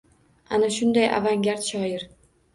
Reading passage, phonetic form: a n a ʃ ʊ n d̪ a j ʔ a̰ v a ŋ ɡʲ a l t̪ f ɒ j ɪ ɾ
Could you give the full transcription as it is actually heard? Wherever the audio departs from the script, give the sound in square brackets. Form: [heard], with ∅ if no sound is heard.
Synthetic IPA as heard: a n a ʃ ʊ n d̪ a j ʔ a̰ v a ŋ ɡʲ a [ɾ] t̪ [ʃ] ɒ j ɪ ɾ